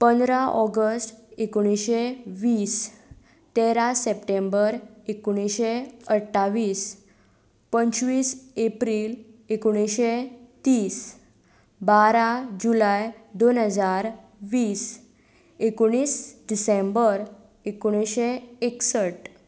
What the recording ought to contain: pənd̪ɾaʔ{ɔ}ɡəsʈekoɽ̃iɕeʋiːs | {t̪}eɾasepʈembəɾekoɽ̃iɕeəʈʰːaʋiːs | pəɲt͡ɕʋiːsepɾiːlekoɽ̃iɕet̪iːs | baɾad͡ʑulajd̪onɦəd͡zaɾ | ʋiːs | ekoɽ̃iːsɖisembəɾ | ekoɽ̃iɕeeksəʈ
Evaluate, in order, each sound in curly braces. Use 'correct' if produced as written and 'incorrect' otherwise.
correct, correct

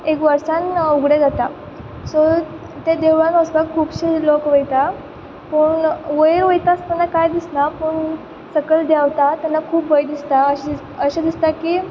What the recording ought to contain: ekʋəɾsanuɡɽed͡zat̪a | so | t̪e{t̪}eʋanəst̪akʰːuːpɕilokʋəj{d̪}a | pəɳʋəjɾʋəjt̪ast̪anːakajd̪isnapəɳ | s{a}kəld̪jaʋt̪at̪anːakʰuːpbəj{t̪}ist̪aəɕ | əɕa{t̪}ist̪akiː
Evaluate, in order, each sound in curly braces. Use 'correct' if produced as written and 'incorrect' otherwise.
incorrect, incorrect, incorrect, incorrect, incorrect

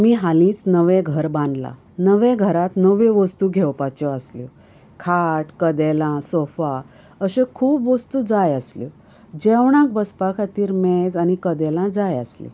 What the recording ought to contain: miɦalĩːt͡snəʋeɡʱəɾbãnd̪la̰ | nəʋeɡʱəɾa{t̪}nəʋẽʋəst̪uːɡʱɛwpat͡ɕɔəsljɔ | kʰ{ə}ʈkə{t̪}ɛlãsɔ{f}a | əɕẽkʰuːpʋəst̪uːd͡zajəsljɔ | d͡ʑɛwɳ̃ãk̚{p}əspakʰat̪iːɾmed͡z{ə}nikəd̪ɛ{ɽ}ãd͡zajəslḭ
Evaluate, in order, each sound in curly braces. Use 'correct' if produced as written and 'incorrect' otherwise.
correct, incorrect, incorrect, correct, incorrect, incorrect, incorrect

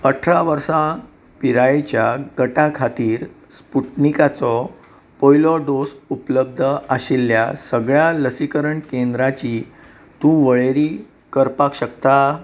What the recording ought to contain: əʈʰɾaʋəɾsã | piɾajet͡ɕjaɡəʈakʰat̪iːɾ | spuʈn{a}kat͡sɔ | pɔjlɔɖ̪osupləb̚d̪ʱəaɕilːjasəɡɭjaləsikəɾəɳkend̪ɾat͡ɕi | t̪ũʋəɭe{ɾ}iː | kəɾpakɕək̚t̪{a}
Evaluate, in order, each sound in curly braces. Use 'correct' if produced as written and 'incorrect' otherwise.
incorrect, correct, correct

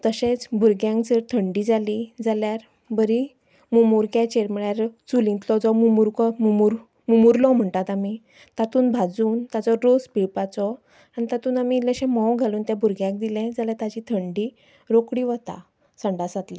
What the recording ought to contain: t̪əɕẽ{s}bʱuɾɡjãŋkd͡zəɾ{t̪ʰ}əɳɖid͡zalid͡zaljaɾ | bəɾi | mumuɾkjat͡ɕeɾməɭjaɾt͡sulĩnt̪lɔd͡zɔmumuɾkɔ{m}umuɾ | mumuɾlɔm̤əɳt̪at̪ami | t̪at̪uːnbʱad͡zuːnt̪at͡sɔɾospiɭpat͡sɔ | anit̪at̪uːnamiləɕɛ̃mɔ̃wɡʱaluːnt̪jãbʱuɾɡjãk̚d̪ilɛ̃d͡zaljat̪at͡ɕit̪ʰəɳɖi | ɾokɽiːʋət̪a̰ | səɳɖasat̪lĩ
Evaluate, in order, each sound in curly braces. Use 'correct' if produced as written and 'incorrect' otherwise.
incorrect, correct, correct

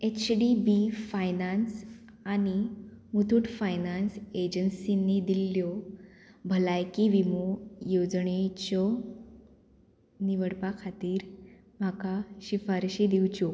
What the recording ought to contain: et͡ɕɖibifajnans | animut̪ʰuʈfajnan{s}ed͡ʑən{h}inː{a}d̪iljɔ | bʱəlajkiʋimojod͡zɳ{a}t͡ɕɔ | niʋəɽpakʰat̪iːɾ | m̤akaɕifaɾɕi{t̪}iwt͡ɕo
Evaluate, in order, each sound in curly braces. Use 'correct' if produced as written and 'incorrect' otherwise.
correct, incorrect, incorrect, incorrect, incorrect

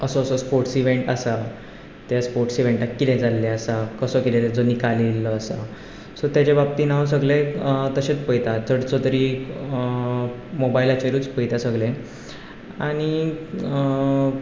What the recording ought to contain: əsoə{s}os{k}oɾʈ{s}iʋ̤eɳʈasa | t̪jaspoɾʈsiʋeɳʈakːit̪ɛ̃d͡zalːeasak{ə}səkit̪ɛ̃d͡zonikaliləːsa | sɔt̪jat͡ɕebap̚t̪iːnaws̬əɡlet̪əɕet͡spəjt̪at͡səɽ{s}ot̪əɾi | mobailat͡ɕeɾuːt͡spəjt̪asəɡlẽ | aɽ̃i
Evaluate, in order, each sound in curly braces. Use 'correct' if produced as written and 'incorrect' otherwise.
correct, incorrect, correct, correct, incorrect

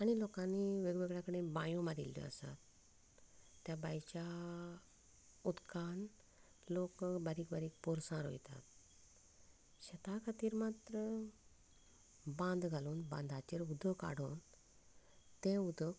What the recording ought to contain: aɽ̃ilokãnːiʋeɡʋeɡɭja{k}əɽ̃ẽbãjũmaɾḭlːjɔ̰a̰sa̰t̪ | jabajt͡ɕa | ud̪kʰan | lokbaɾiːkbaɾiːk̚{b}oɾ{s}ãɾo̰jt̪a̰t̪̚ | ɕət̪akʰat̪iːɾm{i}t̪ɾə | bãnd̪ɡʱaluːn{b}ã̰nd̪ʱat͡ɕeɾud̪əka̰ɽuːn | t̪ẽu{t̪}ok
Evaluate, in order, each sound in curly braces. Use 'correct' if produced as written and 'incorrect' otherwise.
correct, incorrect, correct, incorrect, correct, incorrect

